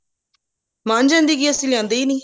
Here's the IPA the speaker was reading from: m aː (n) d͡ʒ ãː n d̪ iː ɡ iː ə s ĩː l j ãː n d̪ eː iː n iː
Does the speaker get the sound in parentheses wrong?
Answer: no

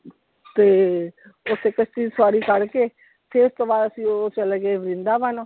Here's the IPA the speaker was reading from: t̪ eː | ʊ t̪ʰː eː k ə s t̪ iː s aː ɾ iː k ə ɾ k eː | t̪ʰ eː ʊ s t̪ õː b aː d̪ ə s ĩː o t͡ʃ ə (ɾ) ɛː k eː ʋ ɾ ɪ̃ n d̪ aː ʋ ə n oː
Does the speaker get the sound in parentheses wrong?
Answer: yes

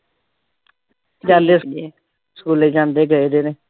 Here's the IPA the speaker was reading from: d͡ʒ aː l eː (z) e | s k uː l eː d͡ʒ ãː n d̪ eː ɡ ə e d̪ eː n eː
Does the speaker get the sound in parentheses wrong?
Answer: yes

